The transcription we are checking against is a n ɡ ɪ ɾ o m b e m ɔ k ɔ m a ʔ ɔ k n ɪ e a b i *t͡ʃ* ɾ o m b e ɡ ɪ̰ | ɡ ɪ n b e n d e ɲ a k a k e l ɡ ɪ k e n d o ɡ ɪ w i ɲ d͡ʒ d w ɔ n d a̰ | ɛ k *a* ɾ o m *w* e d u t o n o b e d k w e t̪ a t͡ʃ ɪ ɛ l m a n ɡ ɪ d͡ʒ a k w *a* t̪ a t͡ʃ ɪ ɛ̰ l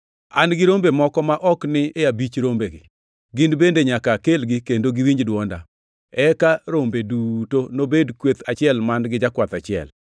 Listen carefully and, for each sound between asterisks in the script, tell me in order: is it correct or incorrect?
correct, correct, incorrect, correct

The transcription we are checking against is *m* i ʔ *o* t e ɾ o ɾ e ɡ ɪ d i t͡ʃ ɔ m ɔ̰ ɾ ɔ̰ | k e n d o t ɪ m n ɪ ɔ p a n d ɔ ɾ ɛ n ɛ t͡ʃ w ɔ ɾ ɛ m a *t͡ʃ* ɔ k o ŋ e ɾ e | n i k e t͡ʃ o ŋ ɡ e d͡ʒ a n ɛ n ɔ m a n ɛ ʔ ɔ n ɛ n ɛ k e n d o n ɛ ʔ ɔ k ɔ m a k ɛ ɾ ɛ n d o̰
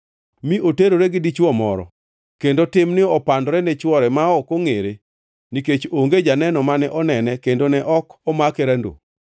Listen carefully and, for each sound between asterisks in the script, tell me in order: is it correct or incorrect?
correct, correct, incorrect

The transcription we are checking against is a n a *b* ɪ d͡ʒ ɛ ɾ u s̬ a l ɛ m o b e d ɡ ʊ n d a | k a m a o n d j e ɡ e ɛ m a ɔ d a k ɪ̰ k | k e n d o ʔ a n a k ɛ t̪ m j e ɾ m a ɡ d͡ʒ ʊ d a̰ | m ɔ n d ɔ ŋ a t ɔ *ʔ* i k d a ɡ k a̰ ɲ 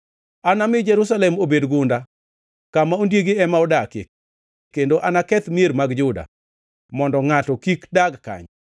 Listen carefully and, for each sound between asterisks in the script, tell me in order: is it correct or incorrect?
incorrect, incorrect

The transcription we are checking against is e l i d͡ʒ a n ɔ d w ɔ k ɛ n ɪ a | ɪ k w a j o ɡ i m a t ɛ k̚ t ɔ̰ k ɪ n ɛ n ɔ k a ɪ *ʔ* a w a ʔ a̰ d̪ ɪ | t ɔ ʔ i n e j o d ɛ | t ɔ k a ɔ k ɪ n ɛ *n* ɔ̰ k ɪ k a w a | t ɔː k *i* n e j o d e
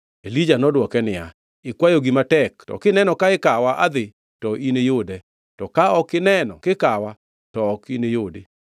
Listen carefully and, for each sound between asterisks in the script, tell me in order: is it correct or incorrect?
incorrect, correct, correct

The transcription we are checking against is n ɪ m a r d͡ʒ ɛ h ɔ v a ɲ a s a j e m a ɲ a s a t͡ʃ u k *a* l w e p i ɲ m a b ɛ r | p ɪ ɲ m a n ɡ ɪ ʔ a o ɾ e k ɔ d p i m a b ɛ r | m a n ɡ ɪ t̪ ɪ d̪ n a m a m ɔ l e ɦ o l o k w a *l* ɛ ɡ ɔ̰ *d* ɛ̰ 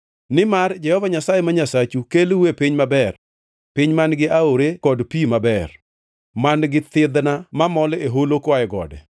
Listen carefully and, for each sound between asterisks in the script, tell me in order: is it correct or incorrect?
incorrect, incorrect, correct

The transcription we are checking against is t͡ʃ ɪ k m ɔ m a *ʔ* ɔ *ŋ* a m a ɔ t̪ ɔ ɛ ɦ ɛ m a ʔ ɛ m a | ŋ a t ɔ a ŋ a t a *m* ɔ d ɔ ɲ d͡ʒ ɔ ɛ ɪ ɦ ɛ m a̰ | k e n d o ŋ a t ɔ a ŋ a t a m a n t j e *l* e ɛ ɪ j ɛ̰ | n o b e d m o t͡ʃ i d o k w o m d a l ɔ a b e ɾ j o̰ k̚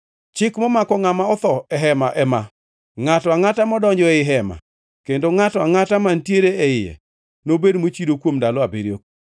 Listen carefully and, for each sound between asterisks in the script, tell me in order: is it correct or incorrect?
incorrect, correct, correct, incorrect

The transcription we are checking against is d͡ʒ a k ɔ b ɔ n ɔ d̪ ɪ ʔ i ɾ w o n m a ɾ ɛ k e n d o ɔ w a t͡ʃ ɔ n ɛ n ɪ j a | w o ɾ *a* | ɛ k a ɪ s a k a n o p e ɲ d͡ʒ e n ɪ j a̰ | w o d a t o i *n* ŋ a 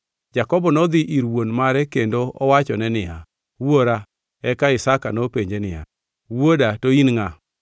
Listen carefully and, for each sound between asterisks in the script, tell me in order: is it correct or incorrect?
correct, correct

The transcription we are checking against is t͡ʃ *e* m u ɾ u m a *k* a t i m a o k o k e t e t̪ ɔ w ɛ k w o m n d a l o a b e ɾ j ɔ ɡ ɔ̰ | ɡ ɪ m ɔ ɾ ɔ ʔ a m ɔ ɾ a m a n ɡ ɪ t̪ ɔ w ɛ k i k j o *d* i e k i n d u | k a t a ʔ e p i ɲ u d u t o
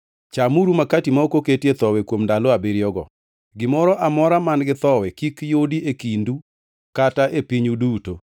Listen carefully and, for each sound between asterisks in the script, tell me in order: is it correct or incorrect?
incorrect, correct, correct

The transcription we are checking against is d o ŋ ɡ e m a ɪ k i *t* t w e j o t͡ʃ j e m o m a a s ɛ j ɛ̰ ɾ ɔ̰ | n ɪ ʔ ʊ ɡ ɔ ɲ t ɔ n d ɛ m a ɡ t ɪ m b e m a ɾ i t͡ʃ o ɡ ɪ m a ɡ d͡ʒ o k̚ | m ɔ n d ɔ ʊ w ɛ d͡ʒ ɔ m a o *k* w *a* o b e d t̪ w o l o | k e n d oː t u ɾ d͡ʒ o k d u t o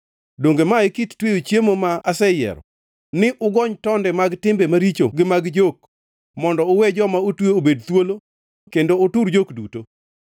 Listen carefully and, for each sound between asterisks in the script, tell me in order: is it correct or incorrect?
correct, incorrect, incorrect

